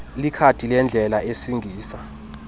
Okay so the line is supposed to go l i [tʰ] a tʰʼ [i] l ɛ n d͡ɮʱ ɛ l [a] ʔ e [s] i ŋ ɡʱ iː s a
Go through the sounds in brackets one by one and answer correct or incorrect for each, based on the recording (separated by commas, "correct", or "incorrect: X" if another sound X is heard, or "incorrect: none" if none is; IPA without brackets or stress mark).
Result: incorrect: kʰ, correct, correct, correct